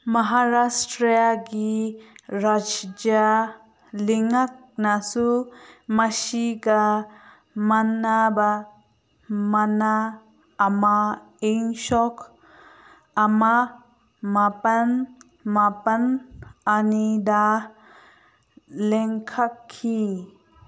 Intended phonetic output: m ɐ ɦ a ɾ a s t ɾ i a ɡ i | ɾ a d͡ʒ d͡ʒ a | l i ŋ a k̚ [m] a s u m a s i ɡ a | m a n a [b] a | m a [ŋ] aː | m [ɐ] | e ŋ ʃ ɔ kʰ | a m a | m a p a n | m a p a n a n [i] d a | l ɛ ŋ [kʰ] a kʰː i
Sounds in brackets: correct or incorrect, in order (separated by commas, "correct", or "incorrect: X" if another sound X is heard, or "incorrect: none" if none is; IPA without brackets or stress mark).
incorrect: n, correct, incorrect: n, incorrect: a, correct, correct